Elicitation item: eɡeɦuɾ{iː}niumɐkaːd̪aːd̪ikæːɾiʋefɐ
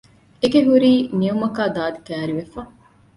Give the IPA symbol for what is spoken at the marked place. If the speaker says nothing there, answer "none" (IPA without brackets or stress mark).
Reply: iː